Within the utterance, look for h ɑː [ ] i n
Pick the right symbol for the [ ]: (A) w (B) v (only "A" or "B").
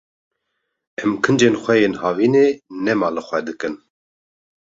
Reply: B